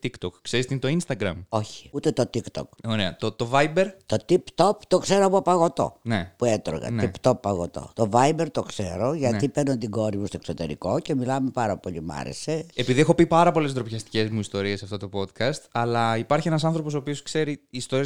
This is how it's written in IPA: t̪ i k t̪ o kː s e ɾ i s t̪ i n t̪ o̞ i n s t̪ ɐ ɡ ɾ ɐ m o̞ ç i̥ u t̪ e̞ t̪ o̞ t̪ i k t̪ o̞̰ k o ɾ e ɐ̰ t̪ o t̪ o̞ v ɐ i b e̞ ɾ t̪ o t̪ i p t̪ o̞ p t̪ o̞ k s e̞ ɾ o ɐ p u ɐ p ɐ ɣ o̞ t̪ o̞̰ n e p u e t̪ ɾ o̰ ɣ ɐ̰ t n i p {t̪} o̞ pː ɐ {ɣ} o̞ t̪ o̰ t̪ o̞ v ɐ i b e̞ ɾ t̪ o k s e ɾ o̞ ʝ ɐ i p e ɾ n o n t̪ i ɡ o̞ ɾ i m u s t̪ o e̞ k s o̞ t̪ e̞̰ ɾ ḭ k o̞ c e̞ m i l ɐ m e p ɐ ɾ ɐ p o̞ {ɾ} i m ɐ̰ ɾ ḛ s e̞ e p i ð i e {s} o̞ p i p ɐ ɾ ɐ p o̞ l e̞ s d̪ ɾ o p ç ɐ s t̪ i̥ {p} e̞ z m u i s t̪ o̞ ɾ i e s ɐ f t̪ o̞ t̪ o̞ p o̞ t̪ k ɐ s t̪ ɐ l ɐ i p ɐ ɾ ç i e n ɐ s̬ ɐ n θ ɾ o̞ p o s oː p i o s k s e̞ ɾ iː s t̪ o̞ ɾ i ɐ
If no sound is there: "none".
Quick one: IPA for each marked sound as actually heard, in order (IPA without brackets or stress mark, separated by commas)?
t̪, ɣ, ʎ, x, c